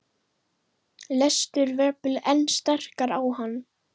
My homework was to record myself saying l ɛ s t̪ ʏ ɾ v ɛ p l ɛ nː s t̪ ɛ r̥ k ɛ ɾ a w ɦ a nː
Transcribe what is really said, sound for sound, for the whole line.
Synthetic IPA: l ɛ s t̪ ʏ ɾ v ɛ p l ɛ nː s t̪ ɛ r̥ k a ɾ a w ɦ a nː